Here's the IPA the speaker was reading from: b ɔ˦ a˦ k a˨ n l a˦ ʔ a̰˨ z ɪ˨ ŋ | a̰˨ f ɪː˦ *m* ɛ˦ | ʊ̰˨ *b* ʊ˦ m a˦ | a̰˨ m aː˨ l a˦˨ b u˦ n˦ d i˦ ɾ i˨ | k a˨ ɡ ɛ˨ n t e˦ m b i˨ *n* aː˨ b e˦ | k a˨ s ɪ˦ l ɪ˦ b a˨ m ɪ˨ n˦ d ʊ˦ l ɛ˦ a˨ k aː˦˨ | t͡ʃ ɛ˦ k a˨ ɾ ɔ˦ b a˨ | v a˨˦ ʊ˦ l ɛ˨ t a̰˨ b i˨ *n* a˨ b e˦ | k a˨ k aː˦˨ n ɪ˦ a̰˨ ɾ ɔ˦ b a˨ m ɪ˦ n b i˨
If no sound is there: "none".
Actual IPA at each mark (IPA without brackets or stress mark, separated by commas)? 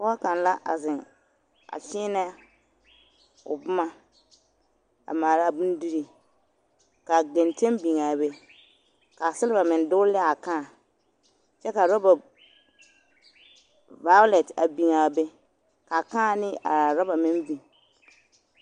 n, b, ŋ, ŋ